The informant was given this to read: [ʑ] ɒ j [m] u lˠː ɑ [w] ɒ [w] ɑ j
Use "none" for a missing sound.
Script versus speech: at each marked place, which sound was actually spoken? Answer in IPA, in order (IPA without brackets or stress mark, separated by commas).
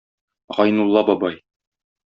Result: ʁ, n, b, b